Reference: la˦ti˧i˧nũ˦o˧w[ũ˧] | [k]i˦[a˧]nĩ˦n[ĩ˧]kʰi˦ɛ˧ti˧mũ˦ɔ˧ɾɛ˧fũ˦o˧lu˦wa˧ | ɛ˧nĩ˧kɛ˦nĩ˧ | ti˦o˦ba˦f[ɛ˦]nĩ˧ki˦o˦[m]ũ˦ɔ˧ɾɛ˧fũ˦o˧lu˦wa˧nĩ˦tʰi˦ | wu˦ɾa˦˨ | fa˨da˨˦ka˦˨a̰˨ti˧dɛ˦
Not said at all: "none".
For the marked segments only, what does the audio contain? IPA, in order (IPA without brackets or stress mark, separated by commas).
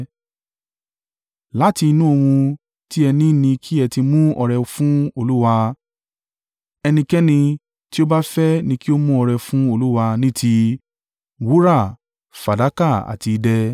ũ˧, t, ɛ˧, ĩ˧, ɛ˦, m